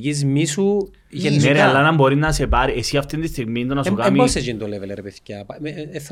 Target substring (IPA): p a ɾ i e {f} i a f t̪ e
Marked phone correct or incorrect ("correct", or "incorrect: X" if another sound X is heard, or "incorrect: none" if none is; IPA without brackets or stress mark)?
incorrect: s